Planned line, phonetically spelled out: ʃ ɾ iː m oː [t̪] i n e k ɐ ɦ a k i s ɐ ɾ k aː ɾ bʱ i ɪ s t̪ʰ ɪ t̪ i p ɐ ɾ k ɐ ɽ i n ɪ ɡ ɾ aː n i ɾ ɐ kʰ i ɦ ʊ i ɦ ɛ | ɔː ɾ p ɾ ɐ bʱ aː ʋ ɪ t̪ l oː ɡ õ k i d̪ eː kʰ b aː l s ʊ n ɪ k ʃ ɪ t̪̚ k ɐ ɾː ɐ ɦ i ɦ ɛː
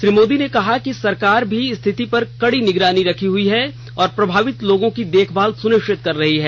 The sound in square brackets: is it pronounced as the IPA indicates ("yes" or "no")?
no